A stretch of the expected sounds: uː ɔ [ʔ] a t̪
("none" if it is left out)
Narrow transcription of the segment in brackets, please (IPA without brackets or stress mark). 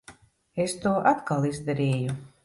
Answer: ʔ